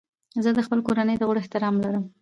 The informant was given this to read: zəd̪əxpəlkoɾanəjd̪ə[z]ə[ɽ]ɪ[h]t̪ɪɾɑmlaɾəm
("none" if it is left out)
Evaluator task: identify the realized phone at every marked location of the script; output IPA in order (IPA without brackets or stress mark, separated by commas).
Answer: ɣ, ɽ, h